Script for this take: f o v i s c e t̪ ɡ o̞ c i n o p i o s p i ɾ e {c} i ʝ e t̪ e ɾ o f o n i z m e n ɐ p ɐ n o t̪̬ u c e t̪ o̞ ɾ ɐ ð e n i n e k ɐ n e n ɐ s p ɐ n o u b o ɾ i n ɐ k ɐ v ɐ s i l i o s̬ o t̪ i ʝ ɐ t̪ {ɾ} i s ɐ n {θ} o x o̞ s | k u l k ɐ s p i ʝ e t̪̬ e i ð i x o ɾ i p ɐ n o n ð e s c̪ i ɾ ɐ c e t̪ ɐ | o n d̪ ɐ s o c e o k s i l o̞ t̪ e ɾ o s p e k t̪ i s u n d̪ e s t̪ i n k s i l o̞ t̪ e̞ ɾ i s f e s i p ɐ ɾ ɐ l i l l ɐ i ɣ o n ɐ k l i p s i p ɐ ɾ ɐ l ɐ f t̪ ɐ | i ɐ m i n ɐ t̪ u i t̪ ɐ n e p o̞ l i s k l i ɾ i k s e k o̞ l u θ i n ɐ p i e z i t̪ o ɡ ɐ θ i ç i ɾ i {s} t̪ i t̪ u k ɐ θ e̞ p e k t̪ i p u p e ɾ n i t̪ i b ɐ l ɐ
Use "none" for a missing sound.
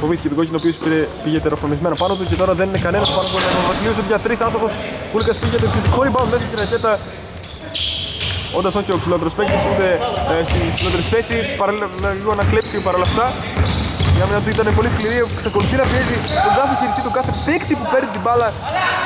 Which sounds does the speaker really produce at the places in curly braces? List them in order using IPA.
p, ɾ, θ, s

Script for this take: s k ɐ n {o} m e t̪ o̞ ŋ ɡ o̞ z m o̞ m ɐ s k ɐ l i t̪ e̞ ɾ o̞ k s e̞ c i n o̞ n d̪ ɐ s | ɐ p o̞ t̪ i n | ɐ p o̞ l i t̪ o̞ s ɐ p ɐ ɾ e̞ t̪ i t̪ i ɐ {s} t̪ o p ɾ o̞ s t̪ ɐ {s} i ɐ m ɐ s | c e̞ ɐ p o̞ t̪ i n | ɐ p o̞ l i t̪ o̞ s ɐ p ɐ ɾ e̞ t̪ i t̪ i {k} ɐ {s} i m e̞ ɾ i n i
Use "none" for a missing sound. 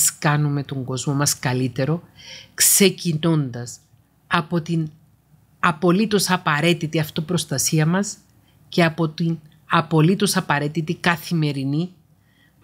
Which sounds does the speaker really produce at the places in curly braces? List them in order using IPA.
u, f, s, k, θ

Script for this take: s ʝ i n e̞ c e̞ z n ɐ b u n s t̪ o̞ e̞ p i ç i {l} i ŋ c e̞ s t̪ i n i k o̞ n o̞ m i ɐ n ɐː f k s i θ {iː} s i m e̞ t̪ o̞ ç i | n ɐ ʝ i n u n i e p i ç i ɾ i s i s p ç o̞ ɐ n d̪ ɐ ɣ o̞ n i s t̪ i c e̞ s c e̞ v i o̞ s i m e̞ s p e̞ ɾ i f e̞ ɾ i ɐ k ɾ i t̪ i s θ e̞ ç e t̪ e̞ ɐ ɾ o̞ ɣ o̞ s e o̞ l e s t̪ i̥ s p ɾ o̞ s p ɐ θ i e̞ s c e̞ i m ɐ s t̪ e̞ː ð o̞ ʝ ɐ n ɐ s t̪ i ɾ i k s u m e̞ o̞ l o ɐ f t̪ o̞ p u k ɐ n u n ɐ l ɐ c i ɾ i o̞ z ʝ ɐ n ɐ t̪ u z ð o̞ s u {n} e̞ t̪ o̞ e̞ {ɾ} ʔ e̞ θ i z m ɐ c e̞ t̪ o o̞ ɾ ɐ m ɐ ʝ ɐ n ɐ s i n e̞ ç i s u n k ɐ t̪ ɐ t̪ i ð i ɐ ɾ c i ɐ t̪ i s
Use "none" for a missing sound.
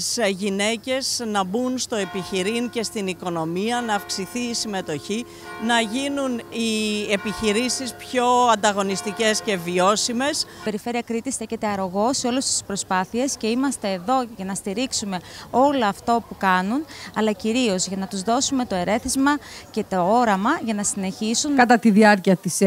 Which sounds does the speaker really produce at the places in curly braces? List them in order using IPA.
ɾ, iː, m, ɾ

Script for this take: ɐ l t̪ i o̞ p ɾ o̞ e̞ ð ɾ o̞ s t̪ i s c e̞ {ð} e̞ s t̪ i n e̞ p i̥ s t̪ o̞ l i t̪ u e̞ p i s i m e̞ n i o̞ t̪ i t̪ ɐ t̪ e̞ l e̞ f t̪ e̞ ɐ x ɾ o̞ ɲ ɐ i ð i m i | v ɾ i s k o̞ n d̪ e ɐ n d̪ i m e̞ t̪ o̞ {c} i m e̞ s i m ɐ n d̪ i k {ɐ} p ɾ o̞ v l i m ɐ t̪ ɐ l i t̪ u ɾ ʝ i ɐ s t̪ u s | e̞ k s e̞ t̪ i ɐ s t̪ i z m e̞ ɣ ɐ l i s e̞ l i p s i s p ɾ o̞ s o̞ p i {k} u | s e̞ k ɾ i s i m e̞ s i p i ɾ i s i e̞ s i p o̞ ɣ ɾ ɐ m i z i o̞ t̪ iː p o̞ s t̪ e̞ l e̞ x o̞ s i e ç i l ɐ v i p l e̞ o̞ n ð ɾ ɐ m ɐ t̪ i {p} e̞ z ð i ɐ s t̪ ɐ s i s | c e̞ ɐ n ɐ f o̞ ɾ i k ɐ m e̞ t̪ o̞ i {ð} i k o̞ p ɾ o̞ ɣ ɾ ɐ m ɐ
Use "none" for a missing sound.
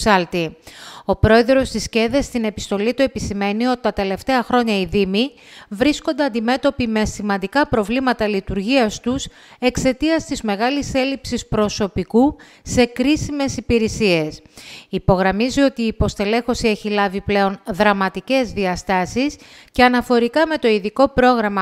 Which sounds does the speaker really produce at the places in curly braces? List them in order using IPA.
ð, p, ɐ, k, c, ð

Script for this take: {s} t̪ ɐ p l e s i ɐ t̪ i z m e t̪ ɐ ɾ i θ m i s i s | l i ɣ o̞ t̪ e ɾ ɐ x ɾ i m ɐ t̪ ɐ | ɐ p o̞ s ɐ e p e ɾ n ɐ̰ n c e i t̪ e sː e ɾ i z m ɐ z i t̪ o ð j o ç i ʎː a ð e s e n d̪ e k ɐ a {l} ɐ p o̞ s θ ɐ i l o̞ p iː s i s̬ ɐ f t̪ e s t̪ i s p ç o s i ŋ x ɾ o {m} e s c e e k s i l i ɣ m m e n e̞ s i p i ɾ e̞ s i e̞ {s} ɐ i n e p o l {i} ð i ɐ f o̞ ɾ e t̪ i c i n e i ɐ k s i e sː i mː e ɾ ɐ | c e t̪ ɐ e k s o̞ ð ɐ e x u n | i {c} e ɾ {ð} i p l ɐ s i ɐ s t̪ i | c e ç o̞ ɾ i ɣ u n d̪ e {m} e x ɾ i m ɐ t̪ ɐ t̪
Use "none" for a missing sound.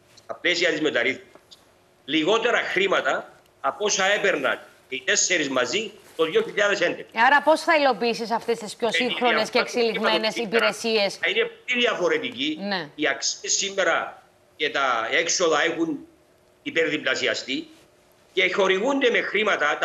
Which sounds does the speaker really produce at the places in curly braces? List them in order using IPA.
s, ɾ, n, s, i, p, ð, m

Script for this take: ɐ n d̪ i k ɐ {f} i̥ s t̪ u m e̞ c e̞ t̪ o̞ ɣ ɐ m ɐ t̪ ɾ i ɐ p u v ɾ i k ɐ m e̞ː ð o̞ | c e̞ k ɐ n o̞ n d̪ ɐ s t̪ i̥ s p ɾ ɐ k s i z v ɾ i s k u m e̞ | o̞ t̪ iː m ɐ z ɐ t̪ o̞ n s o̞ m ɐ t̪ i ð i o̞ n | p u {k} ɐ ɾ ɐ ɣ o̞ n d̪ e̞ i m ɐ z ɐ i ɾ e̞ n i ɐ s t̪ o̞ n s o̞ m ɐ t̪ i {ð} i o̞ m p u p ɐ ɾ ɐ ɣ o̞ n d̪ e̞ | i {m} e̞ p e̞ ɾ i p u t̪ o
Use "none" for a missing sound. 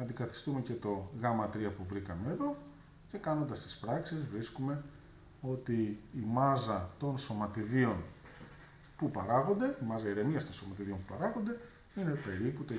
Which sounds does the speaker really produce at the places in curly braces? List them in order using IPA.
θ, p, ð, n

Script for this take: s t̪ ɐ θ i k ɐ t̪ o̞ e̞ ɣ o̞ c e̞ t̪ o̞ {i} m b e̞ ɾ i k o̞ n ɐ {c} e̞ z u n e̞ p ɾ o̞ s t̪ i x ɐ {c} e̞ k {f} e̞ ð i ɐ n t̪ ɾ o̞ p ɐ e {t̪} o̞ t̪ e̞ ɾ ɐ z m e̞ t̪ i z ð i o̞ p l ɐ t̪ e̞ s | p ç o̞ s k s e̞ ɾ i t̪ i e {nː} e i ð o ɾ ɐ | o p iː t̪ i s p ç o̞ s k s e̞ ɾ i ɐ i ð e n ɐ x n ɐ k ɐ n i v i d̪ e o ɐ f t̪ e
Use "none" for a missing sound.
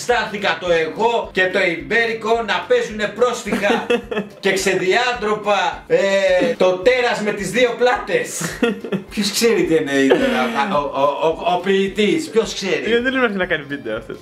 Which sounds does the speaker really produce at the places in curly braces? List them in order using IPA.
i, p, c, s, t̪, n

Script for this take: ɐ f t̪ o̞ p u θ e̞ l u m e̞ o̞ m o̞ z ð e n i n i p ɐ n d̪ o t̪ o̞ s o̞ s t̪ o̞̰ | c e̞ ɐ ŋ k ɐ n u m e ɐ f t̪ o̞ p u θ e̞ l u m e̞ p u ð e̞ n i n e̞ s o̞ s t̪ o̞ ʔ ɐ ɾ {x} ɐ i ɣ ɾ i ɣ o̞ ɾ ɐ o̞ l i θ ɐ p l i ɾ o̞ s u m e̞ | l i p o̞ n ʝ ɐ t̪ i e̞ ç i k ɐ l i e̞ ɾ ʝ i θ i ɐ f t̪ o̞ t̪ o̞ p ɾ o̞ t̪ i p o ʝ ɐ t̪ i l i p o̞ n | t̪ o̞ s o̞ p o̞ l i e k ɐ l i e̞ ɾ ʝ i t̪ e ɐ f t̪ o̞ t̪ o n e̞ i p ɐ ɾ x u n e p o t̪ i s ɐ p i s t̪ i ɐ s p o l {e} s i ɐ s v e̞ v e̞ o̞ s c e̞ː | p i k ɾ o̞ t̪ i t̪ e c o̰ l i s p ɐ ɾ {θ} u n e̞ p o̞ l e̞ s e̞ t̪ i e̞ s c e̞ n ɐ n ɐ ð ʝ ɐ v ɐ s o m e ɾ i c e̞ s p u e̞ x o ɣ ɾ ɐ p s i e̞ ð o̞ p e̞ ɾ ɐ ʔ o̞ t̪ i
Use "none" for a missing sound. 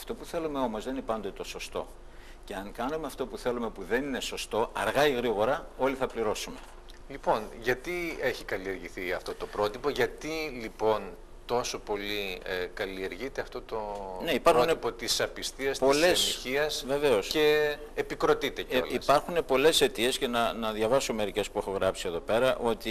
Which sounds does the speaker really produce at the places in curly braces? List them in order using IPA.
ɣ, e, x

